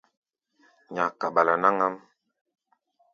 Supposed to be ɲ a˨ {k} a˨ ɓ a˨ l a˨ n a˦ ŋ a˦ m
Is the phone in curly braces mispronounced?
no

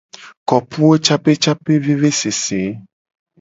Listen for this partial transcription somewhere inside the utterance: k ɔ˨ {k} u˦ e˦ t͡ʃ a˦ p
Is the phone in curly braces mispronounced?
yes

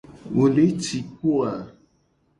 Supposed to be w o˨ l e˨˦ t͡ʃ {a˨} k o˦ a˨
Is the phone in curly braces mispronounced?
yes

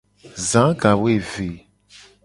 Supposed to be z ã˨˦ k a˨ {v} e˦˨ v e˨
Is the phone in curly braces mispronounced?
yes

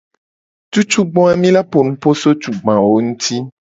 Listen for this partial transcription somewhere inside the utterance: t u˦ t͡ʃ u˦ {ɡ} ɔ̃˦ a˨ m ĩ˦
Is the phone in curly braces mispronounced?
yes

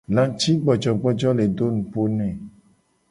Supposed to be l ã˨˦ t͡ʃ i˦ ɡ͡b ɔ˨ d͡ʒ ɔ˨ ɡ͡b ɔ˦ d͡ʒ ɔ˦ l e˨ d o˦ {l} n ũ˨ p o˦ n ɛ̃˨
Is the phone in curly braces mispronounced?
yes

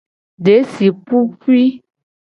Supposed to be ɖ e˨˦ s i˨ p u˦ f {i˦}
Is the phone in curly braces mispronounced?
no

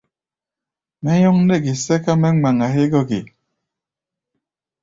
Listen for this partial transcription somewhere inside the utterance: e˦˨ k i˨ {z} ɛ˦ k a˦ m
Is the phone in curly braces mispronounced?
yes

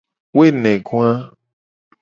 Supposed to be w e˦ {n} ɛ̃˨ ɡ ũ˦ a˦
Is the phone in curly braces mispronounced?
no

